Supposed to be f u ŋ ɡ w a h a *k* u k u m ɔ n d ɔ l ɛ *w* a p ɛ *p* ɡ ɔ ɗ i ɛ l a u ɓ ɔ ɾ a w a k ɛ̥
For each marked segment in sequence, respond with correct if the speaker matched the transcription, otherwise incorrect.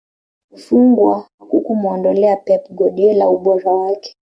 correct, incorrect: none, correct

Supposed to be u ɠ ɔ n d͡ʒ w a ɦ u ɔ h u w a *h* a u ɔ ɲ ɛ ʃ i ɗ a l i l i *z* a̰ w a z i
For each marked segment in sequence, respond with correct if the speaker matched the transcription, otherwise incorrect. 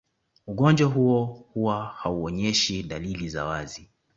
correct, correct

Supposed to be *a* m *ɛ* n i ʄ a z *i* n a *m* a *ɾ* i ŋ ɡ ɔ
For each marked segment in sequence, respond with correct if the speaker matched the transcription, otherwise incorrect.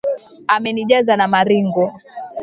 correct, correct, incorrect: a, correct, correct

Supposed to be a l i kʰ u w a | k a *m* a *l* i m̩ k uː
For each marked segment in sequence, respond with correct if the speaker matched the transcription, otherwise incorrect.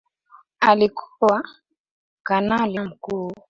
incorrect: n, correct

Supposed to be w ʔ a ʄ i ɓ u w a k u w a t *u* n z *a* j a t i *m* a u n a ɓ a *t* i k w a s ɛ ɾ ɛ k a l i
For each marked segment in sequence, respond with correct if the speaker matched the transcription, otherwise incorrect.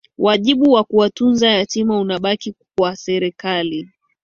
correct, correct, correct, incorrect: k

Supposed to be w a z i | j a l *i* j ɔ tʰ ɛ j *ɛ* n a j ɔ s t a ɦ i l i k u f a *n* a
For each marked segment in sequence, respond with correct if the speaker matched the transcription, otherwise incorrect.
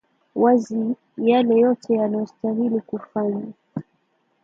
incorrect: ɛ, incorrect: a, incorrect: ɲ

